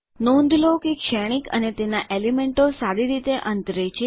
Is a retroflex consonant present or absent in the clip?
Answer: present